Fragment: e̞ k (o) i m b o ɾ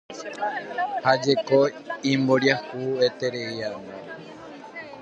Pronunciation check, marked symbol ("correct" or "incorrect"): correct